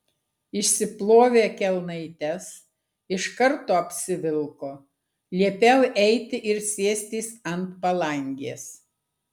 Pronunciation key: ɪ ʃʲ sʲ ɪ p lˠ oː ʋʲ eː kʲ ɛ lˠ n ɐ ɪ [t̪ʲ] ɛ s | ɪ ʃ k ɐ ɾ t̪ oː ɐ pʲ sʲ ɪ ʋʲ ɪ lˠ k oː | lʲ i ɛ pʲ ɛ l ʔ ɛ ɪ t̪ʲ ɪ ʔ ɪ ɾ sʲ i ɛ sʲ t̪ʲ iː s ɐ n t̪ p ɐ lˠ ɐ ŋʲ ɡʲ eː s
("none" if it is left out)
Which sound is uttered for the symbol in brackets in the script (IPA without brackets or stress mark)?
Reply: t̪ʲ